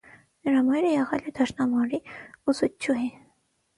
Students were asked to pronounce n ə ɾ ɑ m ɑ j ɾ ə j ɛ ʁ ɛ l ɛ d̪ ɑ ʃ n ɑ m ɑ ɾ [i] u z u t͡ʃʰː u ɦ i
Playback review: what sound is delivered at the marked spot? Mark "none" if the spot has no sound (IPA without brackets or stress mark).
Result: i